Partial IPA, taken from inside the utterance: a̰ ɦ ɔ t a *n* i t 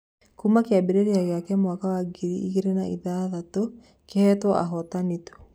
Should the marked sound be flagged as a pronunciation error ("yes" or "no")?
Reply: no